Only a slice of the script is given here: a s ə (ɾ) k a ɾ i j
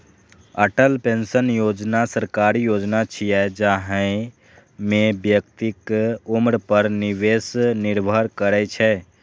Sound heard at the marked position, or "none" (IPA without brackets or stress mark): ɾ